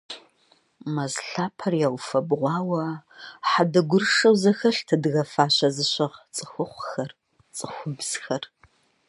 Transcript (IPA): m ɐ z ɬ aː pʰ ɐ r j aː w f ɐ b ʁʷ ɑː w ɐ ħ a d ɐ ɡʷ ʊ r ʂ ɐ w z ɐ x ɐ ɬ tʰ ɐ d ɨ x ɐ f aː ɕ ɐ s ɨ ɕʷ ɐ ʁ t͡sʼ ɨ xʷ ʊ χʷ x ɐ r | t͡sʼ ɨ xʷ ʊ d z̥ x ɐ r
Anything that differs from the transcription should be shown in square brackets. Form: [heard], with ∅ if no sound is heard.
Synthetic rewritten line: m ɐ z ɬ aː pʰ ɐ r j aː w f ɐ b ʁʷ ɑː w ɐ ħ a d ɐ ɡʷ ʊ r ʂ ɐ w z ɐ x ɐ ɬ tʰ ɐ d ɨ [ɣ] ɐ f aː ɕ ɐ [z] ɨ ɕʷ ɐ ʁ t͡sʼ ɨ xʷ ʊ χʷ x ɐ r | t͡sʼ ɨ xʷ ʊ [b] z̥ x ɐ r

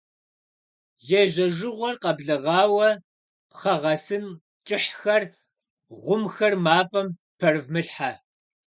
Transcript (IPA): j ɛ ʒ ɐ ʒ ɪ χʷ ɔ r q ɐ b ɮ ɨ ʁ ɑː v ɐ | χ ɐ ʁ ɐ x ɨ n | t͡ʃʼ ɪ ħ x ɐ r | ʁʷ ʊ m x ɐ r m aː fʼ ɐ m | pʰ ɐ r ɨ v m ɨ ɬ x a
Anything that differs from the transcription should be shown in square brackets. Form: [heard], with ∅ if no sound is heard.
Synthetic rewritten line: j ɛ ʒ ɐ ʒ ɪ [ʁʷ] ɔ r q ɐ b ɮ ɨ ʁ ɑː [w] ɐ | χ ɐ ʁ ɐ [s] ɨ n | t͡ʃʼ ɪ ħ x ɐ r | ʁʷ ʊ m x ɐ r m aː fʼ ɐ m | pʰ ɐ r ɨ v m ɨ ɬ [ħ] a

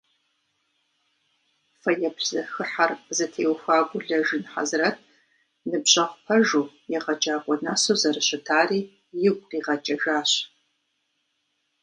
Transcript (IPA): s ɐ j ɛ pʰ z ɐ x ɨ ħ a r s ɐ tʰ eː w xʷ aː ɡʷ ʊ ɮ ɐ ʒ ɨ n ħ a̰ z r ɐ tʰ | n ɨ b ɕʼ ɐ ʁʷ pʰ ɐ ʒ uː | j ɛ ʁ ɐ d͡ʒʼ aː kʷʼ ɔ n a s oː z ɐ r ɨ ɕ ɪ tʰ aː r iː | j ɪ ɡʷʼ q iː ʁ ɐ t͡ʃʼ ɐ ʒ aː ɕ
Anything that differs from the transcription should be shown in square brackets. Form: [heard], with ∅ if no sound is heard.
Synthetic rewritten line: [f] ɐ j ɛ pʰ z ɐ x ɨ ħ a r [z] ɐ tʰ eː w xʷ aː ɡʷ ʊ ɮ ɐ ʒ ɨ n ħ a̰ z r ɐ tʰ | n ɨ b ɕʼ ɐ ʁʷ pʰ ɐ ʒ uː | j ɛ ʁ ɐ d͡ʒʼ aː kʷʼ ɔ n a s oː z ɐ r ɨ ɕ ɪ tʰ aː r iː | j ɪ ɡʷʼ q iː ʁ ɐ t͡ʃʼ ɐ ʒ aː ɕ

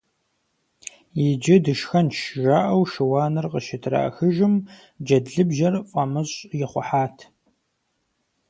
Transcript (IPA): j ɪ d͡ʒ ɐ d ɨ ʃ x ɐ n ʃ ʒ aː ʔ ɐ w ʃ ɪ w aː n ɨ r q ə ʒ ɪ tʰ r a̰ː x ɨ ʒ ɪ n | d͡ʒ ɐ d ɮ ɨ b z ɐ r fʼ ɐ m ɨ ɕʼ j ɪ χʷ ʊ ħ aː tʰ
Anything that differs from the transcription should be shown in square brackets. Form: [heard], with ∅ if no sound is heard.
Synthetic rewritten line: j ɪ d͡ʒ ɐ d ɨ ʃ x ɐ n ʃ ʒ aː ʔ ɐ w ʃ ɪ w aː n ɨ r q ə [ʃ] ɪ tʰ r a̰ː x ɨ ʒ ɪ [m] | d͡ʒ ɐ d ɮ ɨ b [ʒ] ɐ r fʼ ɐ m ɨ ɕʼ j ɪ χʷ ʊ ħ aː tʰ

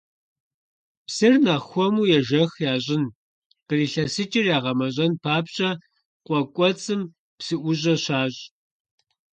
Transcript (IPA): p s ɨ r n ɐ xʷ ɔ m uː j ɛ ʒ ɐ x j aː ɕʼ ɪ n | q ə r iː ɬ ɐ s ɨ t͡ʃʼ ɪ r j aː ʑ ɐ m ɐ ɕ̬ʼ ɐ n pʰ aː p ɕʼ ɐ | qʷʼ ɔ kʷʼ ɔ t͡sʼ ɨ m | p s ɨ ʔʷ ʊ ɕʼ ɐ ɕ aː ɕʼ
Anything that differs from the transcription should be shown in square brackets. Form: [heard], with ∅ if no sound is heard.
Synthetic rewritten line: p s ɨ r n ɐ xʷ ɔ m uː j ɛ ʒ ɐ x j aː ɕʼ ɪ n | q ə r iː ɬ ɐ s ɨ t͡ʃʼ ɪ r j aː [ʁ] ɐ m ɐ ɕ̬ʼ ɐ n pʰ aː p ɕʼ ɐ | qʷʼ ɔ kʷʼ ɔ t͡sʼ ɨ m | p s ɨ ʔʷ ʊ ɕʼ ɐ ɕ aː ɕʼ

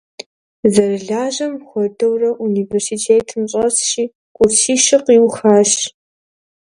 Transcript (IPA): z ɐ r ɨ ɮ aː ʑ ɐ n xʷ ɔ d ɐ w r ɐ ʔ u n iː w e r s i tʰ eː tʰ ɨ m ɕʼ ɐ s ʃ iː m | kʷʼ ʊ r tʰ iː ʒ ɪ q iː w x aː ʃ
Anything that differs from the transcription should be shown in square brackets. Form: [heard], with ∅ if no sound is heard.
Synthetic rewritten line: z ɐ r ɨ ɮ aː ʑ ɐ [m] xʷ ɔ d ɐ w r ɐ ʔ u n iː [v] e r s i tʰ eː tʰ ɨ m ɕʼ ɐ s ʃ iː [∅] | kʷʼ ʊ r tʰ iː [ʃ] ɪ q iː w x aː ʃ

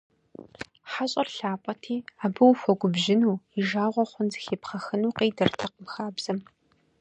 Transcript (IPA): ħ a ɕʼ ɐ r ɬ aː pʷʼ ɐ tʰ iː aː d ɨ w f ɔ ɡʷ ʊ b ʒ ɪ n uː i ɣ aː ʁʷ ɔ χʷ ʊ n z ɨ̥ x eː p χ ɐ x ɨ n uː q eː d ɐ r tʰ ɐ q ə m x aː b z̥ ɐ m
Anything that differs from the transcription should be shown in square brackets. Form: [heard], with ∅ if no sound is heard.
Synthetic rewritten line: ħ a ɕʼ ɐ r ɬ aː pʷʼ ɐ tʰ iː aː [b] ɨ w f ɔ ɡʷ ʊ b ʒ ɪ n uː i [ʒ] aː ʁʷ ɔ χʷ ʊ n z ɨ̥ x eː p χ ɐ x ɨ n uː q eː d ɐ r tʰ ɐ q ə m x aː b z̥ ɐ m

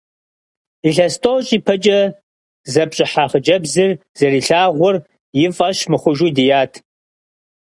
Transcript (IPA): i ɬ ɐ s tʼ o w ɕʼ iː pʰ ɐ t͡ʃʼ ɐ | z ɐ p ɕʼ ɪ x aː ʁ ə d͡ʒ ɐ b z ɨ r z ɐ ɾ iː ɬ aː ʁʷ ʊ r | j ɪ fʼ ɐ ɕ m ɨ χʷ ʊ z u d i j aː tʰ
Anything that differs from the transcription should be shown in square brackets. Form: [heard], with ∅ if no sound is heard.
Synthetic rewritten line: i ɬ ɐ s tʼ o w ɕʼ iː pʰ ɐ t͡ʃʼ ɐ | z ɐ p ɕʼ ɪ [ħ] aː [χ] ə d͡ʒ ɐ b z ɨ r z ɐ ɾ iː ɬ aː ʁʷ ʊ r | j ɪ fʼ ɐ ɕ m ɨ χʷ ʊ [ʒ] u d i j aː tʰ

